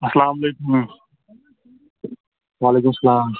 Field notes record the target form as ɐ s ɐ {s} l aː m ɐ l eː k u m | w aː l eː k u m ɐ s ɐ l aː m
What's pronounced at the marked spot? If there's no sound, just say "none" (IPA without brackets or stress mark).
none